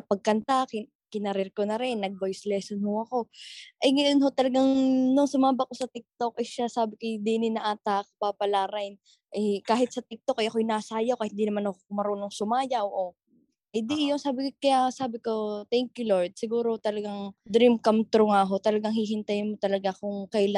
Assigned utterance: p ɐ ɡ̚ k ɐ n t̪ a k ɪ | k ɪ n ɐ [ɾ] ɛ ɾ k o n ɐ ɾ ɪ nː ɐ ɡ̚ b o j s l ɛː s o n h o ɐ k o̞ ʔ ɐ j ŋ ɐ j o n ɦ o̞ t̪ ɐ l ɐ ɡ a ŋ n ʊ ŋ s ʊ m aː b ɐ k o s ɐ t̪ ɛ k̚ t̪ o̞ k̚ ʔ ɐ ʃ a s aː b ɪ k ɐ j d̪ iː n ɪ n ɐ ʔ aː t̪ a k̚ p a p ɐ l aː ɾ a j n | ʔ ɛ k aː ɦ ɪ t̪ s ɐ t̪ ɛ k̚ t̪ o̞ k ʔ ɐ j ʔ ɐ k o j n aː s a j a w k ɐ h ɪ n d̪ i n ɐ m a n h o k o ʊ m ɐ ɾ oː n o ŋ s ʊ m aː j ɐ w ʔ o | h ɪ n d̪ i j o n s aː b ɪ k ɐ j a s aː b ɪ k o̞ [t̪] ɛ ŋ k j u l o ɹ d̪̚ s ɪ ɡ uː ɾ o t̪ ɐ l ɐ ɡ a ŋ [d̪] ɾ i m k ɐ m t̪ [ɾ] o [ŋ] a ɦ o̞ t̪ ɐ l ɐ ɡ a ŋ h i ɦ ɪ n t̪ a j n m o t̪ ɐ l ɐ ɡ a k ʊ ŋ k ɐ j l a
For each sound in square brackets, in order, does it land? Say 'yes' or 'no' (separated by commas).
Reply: yes, yes, yes, yes, yes